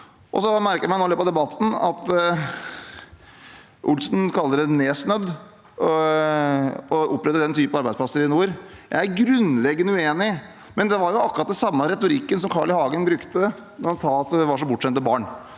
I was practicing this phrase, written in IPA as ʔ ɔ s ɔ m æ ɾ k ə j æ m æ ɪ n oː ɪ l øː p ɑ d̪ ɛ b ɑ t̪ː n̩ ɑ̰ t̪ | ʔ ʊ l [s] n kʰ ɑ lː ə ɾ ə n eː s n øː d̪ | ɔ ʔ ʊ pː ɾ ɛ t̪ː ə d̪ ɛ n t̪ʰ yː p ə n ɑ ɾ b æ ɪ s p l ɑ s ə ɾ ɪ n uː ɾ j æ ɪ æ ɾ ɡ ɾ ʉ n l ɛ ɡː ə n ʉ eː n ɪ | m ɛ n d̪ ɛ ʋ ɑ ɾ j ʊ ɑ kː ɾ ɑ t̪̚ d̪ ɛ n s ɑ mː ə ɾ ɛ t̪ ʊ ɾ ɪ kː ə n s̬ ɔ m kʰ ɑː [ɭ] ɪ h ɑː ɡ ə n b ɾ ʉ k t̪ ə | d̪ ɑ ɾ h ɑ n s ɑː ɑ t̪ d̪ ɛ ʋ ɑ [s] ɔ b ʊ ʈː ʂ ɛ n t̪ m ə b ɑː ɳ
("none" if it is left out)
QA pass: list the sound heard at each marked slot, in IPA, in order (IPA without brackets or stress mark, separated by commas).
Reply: s, ɭ, ʂ